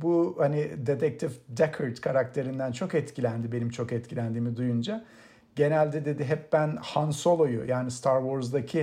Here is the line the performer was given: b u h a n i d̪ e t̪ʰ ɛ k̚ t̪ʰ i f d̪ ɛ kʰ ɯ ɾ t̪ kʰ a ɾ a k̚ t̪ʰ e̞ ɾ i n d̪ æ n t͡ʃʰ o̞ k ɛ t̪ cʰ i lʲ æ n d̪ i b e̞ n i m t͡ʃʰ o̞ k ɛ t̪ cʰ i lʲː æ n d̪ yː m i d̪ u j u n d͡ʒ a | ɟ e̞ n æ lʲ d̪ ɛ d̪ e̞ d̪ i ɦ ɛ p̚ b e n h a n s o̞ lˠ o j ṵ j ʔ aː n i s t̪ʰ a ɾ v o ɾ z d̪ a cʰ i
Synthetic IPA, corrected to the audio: b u h a n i d̪ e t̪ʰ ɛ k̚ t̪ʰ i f d̪ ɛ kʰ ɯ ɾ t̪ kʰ a ɾ a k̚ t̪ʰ e̞ ɾ i n d̪ æ n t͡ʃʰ o̞ k ɛ t̪ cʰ i lʲ æ n d̪ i b e̞ n i m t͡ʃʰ o̞ k ɛ t̪ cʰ i lʲ æ n d̪ iː m i d̪ u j u n d͡ʒ a | ɟ e̞ n æ lʲ d̪ ɛ d̪ e̞ d̪ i ɦ ɛ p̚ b æ n h a n s o̞ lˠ o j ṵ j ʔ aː n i s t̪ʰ a ɾ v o ɾ z d̪ a cʰ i